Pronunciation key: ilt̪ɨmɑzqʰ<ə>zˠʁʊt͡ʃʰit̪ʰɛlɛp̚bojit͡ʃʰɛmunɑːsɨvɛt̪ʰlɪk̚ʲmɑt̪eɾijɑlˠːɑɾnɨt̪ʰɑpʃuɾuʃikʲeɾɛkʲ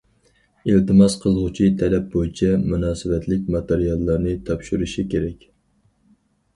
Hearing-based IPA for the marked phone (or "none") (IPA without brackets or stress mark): ə